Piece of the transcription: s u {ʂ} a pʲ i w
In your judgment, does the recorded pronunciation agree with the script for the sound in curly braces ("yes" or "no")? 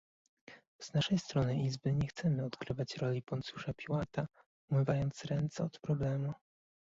yes